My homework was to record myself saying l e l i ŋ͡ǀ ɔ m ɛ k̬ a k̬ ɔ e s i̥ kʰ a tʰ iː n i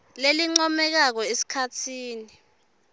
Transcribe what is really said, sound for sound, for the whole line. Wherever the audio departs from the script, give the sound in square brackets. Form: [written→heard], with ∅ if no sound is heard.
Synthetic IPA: l e l i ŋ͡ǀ ɔ m ɛ k̬ a k̬ ɔ e s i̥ kʰ a tʰ iː n i